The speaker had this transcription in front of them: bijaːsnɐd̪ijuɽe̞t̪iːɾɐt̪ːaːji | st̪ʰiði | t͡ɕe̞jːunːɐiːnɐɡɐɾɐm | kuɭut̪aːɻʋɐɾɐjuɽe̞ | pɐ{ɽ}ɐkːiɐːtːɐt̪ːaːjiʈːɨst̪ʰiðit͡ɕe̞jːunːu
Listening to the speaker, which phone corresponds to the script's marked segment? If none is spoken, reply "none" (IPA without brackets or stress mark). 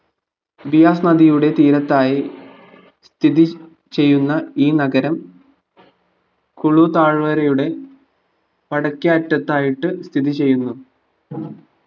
ɽ